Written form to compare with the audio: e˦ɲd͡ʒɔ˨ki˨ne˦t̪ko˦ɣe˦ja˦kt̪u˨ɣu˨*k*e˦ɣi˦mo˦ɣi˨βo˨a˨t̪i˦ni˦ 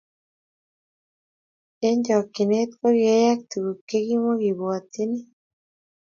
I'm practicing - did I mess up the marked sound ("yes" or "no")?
no